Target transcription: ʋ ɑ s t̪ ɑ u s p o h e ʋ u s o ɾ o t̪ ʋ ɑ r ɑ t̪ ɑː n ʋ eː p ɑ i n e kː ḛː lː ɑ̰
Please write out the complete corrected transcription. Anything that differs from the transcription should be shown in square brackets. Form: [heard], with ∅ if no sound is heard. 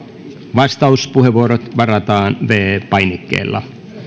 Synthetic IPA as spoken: ʋ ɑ s t̪ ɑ u s p [u] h e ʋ u [∅] o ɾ o t̪ ʋ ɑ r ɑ t̪ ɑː n ʋ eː p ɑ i n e kː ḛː lː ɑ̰